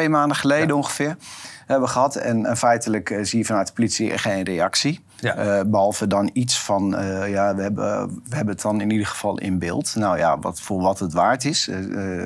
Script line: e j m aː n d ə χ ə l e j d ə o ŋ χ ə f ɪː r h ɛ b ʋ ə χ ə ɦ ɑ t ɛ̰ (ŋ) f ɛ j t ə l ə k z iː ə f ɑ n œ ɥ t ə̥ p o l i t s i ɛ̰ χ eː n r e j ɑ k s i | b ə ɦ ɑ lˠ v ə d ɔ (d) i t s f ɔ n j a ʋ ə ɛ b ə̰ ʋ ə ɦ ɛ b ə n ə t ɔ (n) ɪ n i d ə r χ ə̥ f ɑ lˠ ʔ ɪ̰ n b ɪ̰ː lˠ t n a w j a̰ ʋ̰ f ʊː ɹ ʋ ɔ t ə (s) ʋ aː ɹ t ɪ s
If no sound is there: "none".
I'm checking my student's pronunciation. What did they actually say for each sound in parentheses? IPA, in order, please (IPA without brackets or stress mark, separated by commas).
n, n, n, t